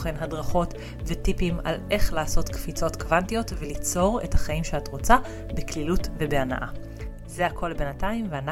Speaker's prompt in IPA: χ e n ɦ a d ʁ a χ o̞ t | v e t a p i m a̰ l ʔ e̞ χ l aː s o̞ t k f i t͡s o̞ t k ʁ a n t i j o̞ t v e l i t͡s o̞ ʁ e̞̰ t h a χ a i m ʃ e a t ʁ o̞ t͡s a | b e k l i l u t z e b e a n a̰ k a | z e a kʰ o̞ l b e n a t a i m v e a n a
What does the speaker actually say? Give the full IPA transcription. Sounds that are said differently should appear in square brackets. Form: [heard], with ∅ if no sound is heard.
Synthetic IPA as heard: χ e n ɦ a d ʁ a χ o̞ t | v e t [i] p i m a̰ l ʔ e̞ χ l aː s o̞ t k f i t͡s o̞ t k [v] a n t i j o̞ t v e l i t͡s o̞ ʁ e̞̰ t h a χ a i m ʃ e a t ʁ o̞ t͡s a | b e k l i l u t [v] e b e a n a̰ [ʔ] a | z e a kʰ o̞ l b e n a t a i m v e a n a